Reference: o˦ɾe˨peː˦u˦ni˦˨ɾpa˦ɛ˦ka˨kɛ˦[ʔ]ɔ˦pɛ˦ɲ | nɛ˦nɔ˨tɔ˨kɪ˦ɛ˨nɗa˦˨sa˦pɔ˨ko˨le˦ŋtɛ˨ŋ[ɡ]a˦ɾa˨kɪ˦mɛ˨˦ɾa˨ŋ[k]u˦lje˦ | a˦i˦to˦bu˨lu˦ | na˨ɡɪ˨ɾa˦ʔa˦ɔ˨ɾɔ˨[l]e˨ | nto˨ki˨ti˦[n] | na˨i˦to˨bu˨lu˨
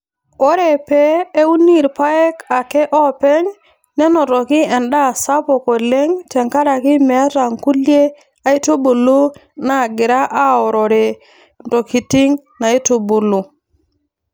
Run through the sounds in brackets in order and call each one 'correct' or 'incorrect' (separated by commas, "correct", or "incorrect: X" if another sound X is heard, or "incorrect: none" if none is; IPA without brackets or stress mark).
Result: correct, incorrect: k, correct, incorrect: ɾ, incorrect: ŋ